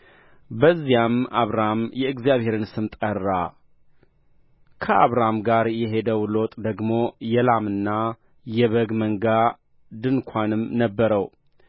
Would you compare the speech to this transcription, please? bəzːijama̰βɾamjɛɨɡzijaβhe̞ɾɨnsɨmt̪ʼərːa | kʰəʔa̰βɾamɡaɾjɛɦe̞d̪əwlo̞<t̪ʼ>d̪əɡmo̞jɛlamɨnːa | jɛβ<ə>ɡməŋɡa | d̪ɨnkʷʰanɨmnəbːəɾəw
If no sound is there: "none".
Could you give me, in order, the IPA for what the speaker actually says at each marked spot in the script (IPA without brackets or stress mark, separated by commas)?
t̪ʼ, ə